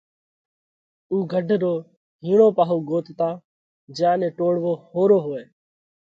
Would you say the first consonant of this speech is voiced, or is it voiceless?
voiced